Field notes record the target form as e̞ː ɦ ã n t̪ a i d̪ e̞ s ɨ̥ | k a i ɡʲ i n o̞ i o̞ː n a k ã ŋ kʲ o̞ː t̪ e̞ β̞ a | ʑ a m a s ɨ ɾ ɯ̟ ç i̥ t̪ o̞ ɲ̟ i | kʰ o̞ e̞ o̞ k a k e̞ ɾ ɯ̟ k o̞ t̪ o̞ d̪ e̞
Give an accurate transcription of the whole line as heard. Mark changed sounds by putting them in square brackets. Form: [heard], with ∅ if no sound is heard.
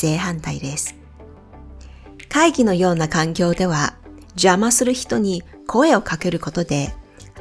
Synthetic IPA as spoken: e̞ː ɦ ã n t̪ a i d̪ e̞ s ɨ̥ | k a i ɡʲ i n o̞ [j] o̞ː n a k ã ŋ kʲ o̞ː [d̪] e̞ β̞ a | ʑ a m a s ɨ ɾ ɯ̟ ç i̥ t̪ o̞ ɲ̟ i | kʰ o̞ e̞ o̞ k a k e̞ ɾ ɯ̟ k o̞ t̪ o̞ d̪ e̞